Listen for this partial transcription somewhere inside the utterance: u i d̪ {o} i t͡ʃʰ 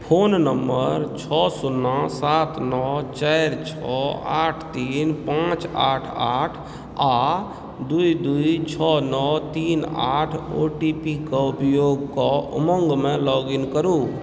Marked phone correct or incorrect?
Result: incorrect